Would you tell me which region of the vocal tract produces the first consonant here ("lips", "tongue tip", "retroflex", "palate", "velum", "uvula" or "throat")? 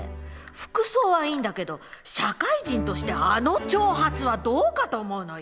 lips